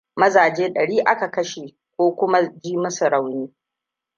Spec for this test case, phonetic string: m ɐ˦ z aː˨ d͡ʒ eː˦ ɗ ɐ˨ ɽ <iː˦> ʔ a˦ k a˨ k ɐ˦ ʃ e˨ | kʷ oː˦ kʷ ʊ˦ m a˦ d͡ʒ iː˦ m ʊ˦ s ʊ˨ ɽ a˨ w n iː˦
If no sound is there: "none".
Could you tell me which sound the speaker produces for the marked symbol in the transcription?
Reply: iː˦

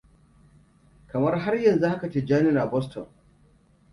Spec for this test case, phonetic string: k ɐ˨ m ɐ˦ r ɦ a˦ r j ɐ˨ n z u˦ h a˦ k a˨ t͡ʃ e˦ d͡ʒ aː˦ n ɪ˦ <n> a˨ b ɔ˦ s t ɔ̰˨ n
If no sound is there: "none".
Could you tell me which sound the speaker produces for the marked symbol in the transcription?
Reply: n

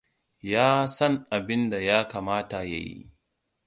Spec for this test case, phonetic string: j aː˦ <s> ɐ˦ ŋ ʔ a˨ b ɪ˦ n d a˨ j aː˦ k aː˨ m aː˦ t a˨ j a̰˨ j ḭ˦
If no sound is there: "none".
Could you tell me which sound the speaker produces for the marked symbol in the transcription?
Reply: s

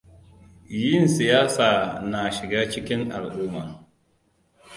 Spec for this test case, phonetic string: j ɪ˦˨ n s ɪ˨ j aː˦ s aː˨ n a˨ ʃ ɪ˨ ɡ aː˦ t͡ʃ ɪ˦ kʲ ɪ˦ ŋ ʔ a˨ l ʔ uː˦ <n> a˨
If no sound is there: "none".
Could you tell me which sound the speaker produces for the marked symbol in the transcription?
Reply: m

